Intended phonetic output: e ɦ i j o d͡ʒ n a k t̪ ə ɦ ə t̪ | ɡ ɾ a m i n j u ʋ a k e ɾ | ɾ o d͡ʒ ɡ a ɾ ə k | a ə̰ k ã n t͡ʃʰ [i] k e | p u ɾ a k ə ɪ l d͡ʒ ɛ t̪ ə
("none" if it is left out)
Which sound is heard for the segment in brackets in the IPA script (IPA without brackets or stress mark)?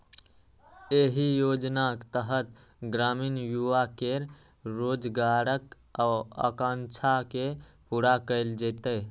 a